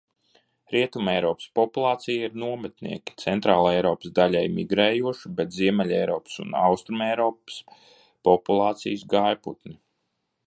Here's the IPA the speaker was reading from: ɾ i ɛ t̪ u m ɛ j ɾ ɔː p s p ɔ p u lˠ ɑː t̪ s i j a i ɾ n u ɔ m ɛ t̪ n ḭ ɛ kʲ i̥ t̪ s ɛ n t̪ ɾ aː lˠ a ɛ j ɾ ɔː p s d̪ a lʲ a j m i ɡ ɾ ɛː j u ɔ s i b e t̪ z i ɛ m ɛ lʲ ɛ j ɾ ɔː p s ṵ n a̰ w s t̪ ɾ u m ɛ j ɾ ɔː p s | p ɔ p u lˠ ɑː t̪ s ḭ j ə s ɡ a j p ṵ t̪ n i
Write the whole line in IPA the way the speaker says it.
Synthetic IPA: ɾ i ɛ t̪ u m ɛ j ɾ ɔː p s p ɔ p u lˠ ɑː t̪ s i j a i ɾ n u ɔ m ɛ t̪ n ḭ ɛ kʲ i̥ t̪ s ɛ n t̪ ɾ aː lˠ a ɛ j ɾ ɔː p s d̪ a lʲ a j m i ɡ ɾ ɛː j u ɔ ʃ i b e t̪ z i ɛ m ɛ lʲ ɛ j ɾ ɔː p s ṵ n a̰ w s t̪ ɾ u m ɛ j ɾ ɔː p s | p ɔ p u lˠ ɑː t̪ s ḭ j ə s ɡ a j p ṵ t̪ n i